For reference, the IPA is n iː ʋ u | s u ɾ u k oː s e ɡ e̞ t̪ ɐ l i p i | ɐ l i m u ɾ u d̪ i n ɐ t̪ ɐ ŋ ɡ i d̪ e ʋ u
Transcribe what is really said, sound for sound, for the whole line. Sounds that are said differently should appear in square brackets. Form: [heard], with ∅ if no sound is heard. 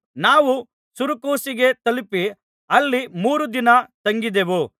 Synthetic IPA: n [aː] ʋ u | s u ɾ u k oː s [i] ɡ e̞ t̪ ɐ l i p i | ɐ [lː] i m [uː] ɾ u d̪ i n ɐ t̪ ɐ ŋ ɡ i d̪ e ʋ u